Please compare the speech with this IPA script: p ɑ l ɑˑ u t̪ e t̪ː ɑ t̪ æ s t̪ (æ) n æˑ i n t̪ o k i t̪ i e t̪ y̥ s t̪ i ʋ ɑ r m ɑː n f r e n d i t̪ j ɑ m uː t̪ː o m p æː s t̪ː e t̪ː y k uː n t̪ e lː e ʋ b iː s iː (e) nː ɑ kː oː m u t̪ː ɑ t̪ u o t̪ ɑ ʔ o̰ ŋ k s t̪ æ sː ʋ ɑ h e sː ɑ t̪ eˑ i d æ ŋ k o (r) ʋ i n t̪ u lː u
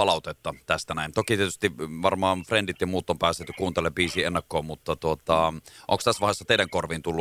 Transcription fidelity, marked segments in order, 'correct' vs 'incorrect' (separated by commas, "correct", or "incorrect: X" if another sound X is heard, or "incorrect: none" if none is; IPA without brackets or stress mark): correct, correct, correct